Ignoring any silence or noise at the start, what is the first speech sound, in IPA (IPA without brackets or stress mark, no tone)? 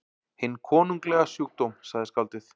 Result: h